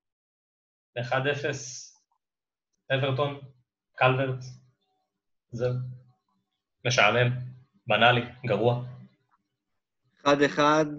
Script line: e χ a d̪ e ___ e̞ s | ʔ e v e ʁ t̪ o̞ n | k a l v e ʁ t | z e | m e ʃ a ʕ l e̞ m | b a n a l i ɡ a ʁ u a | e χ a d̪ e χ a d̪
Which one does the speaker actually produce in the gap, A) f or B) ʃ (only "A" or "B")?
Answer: A